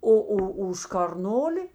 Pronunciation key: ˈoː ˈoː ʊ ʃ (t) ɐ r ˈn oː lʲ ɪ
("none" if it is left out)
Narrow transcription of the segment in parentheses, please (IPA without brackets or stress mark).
k